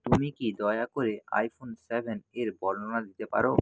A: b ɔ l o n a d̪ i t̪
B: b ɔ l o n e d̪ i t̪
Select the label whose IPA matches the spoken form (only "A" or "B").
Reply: A